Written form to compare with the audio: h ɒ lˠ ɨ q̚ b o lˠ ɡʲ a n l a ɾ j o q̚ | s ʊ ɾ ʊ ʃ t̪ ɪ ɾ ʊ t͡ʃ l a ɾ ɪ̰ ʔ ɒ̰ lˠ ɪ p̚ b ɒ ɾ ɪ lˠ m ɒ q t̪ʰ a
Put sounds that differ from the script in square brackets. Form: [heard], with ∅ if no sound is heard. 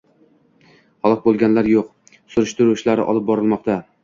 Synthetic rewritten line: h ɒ lˠ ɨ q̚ b o lˠ ɡʲ a n l a ɾ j o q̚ | s ʊ ɾ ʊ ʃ t̪ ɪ ɾ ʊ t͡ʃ l a ɾ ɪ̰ ʔ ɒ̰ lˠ ɪ p̚ b ɒ ɾ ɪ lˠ m ɒ q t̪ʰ a